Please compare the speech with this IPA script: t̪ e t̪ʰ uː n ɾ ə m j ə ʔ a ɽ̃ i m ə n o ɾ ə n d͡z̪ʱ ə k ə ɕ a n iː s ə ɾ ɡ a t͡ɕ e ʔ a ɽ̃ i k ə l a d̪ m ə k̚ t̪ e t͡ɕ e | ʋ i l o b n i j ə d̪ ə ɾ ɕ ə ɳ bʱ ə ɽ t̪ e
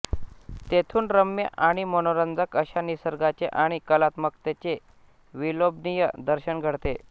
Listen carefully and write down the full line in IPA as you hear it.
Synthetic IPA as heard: t̪ e t̪ʰ uː n ɾ ə m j ə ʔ a ɽ̃ i m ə n o ɾ ə n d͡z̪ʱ ə k ə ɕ a n i s ə ɾ ɡ a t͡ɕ e ʔ a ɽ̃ i k ə l a t̪ m ə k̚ t̪ e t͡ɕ e | ʋ i l o b n i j ə d̪ ə ɾ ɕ ə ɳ ɡʱ ə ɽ t̪ e